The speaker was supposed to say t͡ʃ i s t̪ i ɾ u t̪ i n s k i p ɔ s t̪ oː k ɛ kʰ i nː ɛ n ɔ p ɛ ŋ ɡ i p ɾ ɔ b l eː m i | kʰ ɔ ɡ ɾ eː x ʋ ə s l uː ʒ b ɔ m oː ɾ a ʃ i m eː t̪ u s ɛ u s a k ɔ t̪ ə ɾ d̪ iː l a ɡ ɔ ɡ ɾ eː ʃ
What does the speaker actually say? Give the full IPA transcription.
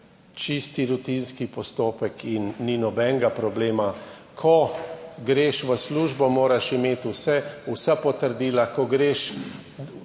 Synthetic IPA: t͡ʃ i s t̪ i ɾ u t̪ i n s k i p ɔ s t̪ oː p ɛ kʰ i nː i n ɔ b ɛ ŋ ɡ a p ɾ ɔ b l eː m a | kʰ ɔ ɡ ɾ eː ʃ ʋ ə s l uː ʒ b ɔ m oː ɾ a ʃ i m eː t̪ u s ɛ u s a p ɔ t̪ ə ɾ d̪ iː l a k ɔ ɡ ɾ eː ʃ